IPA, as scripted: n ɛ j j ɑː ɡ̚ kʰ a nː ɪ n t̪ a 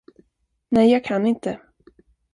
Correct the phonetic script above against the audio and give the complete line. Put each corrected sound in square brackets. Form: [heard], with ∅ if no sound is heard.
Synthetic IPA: n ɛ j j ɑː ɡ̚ kʰ a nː ɪ n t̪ [ə]